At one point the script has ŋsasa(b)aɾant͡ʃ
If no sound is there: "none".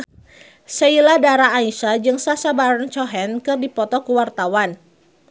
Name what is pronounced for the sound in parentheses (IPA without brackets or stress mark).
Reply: b